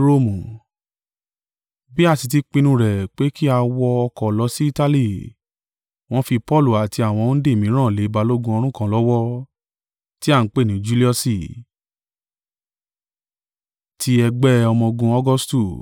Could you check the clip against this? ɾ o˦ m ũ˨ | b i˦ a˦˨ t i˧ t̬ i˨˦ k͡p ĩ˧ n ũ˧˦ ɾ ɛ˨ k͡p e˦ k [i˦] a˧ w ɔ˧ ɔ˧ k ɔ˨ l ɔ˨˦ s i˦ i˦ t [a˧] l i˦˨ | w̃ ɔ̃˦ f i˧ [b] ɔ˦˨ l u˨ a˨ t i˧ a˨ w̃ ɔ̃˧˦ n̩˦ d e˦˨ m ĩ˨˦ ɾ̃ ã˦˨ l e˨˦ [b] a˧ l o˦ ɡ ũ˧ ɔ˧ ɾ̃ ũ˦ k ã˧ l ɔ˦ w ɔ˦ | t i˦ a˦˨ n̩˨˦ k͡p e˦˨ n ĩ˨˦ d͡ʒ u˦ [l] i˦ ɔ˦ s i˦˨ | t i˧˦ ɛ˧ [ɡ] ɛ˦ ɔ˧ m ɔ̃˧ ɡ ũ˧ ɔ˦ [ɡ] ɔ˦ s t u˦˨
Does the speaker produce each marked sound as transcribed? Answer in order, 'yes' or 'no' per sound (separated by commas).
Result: yes, yes, no, yes, yes, no, yes